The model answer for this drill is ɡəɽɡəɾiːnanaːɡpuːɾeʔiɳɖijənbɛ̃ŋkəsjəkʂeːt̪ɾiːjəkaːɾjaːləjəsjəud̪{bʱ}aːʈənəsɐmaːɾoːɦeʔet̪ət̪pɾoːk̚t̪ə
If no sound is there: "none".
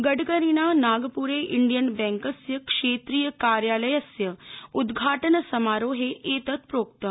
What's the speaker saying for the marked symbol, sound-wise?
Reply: ɡʱ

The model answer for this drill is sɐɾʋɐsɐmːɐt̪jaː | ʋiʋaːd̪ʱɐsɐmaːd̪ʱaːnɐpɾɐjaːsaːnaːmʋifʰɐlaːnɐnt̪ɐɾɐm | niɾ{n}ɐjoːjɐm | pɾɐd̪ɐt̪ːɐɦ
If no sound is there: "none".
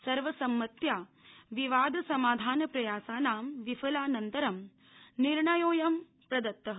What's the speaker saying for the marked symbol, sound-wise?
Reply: ɳ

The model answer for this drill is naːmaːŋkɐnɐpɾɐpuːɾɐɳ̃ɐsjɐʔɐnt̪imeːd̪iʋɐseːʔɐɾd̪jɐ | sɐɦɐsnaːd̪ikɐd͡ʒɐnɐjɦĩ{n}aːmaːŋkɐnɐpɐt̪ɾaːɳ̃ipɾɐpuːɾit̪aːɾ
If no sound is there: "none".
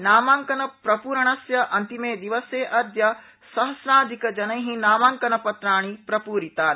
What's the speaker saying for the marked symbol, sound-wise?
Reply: n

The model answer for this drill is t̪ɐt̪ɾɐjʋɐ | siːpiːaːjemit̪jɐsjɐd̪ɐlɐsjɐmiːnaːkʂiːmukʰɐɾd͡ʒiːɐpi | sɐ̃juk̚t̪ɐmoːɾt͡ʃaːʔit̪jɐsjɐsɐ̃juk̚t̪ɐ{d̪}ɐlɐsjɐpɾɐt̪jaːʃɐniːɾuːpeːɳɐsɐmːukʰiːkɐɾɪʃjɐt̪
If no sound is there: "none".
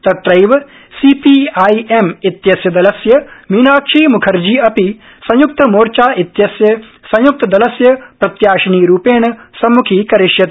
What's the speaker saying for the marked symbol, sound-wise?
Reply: d̪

